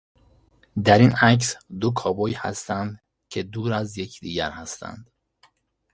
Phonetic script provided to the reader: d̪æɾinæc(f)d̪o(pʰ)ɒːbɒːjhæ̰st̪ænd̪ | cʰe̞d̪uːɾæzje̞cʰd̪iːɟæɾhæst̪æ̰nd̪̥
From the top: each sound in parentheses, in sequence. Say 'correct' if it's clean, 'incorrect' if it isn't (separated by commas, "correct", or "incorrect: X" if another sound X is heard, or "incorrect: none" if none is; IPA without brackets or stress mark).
incorrect: s, incorrect: kʰ